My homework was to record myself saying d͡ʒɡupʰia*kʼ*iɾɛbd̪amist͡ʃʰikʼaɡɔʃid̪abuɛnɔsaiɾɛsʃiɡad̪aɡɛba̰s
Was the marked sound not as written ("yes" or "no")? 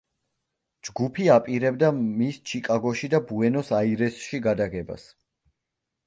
yes